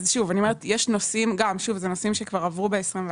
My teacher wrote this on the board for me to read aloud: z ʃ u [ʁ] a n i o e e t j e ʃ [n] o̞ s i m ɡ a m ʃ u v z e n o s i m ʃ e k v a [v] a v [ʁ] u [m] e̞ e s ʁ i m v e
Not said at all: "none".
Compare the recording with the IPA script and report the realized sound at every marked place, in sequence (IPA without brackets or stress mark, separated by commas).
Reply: v, n, ʁ, ʁ, b